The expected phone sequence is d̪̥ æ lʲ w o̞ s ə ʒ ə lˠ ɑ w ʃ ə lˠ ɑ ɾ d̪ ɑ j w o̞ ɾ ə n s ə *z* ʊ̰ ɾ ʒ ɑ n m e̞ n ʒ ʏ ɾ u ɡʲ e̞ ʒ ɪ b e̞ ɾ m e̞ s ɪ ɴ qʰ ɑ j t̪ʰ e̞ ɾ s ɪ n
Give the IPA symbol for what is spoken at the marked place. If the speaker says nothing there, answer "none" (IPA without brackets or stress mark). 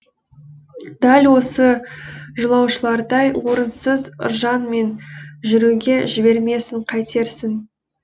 z